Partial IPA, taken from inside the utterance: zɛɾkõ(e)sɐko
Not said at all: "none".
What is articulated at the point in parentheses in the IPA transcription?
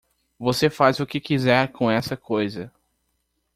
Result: ɛ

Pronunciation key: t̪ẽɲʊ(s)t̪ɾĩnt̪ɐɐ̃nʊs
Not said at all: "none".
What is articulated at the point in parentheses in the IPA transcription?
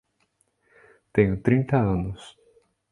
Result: none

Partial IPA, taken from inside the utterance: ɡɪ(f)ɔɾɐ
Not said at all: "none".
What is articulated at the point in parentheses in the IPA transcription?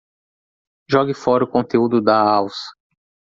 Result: f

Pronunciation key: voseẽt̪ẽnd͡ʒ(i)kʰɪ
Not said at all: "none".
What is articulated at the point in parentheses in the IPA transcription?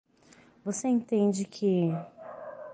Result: ɪ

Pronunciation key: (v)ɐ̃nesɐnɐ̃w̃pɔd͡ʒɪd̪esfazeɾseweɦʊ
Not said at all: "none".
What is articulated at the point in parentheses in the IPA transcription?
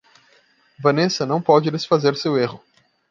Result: v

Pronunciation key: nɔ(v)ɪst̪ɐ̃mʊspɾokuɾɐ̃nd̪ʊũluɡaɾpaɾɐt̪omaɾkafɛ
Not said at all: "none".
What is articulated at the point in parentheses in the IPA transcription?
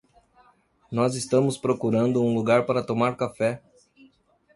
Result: z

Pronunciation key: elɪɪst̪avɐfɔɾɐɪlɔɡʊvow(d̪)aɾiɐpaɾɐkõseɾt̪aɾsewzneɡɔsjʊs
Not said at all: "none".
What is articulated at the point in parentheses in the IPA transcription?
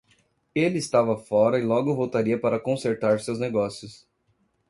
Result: t̪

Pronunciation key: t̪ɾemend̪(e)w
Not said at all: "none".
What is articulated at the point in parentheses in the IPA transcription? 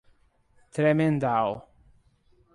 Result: a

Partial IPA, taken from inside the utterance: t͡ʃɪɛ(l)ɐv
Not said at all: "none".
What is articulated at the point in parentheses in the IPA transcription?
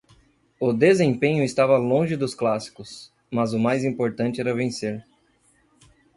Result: ɾ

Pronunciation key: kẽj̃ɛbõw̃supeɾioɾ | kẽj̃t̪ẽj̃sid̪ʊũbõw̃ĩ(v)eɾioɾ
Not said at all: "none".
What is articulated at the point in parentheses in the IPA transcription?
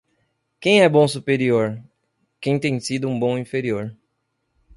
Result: f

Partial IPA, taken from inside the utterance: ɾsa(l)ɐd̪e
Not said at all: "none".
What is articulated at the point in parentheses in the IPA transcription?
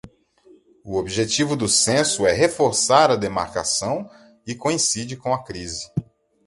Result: ɾ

